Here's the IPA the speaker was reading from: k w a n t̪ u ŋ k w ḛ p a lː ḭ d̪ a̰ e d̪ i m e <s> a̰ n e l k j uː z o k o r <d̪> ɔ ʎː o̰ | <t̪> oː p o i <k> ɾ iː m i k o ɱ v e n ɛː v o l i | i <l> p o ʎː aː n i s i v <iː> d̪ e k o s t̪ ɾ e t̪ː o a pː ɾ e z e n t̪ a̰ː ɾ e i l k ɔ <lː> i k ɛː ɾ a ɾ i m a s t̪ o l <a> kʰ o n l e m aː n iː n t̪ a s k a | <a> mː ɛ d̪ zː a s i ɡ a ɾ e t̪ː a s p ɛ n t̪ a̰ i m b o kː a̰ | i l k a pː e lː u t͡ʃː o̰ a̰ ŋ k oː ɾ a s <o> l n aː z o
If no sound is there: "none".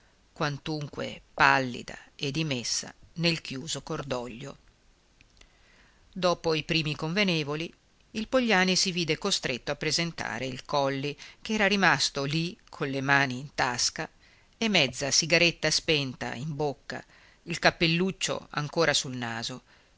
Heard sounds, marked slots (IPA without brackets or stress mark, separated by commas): sː, d̪, d̪, p, l, iː, lː, i, e, u